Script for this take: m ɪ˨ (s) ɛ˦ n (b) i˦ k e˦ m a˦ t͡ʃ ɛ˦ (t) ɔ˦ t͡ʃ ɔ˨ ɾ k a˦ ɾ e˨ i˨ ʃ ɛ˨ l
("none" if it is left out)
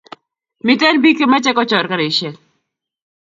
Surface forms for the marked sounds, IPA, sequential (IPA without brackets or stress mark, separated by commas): t, b, k